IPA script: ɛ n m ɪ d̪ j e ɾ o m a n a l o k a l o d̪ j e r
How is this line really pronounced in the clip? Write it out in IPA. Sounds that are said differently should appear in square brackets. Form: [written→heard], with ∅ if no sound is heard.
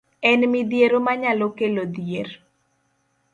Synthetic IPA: ɛ n m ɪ d̪ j e ɾ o m a [n→ɲ] a l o k [a→e] l o d̪ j e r

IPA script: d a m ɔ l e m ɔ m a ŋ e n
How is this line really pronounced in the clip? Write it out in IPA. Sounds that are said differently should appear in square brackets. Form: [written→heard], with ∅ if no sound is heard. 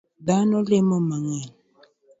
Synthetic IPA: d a [m→n] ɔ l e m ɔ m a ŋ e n

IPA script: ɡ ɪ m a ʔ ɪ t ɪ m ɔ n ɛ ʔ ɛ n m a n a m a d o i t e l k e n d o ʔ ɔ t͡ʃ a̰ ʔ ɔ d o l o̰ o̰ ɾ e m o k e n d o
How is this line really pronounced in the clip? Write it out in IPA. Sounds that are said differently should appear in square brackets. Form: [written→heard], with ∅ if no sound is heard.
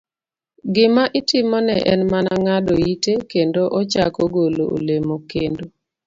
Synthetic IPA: ɡ ɪ m a ʔ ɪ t ɪ m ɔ n ɛ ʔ ɛ n m a n a [m→ŋ] a d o i t e [l→∅] k e n d o ʔ ɔ t͡ʃ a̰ [ʔ→k] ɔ [d→ɡ] o l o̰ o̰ [ɾ→l] e m o k e n d o

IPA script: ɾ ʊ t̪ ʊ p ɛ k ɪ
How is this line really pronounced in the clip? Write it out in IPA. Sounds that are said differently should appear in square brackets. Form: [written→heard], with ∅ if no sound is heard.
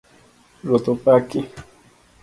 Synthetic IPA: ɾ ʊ t̪ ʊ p [ɛ→a] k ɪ

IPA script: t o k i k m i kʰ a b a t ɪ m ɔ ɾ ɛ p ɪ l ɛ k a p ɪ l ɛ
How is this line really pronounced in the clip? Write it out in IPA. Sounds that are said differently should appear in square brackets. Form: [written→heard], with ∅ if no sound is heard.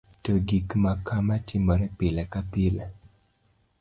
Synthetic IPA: t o [k→ɡ] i k m [i→a] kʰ a [b→m] a t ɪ m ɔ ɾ ɛ p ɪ l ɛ k a p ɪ l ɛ

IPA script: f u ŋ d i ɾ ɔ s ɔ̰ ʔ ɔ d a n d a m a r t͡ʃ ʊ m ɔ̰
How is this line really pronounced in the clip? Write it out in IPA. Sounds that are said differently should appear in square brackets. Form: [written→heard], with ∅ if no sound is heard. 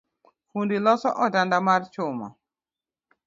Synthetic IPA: f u [ŋ→n] d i [ɾ→l] ɔ s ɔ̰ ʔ ɔ d a n d a m a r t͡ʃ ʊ m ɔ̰

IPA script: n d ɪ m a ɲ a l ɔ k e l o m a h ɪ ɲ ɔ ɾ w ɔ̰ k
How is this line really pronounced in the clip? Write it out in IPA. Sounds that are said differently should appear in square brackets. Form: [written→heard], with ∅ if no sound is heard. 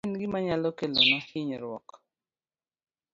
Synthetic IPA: n [d→ɡ] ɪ m a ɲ a l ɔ k e l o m a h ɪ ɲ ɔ ɾ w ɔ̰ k

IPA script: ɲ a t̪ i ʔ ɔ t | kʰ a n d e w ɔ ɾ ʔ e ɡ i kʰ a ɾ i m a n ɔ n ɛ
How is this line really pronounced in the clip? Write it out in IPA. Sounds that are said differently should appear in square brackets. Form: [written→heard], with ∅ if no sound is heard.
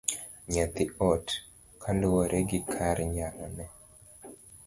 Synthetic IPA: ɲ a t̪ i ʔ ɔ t | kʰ a n d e w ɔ ɾ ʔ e ɡ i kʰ a ɾ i [m→ɲ] a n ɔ n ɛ

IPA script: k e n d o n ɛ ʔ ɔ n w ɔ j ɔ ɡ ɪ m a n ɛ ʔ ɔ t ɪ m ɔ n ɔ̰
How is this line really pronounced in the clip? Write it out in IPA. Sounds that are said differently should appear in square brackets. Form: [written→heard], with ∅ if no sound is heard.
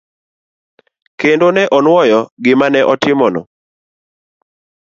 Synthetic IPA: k e n d o n ɛ ʔ ɔ n w ɔ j ɔ ɡ ɪ m a n ɛ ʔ ɔ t ɪ m ɔ n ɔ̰

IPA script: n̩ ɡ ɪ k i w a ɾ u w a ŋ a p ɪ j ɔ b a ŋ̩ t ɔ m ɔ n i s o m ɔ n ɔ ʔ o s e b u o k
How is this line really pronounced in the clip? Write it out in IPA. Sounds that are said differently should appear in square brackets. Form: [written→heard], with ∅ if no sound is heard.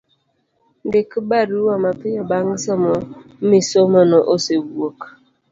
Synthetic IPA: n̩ [ɡ→d] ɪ k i [w→b] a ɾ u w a [ŋ→m] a p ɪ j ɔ b a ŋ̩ [t→s] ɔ m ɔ [n→m] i s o m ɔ n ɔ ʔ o s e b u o k

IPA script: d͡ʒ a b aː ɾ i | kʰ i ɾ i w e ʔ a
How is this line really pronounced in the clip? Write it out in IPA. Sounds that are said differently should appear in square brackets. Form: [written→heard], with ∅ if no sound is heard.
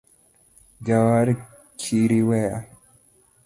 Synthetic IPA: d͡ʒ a [b→w] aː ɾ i | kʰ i ɾ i w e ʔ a

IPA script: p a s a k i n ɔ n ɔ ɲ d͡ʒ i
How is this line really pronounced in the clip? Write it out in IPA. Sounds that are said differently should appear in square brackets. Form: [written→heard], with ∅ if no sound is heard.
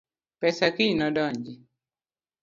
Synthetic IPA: p [a→ɛ] s a k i n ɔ [n→d] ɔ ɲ d͡ʒ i

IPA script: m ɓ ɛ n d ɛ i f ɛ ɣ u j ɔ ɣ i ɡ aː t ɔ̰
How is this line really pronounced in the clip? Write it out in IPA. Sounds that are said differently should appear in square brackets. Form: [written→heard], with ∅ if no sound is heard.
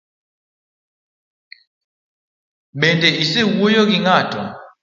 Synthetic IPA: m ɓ ɛ n d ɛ i [f→s] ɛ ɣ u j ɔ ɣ i [ɡ→ŋ] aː t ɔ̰

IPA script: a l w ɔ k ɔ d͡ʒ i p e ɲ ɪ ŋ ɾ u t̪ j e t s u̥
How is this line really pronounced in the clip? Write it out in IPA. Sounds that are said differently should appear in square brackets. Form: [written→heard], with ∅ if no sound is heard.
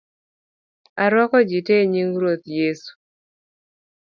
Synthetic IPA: a [l→ɾ] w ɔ k ɔ d͡ʒ i [p→t] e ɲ [ɪ→i] ŋ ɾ [u→o] t̪ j e [t→∅] s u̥

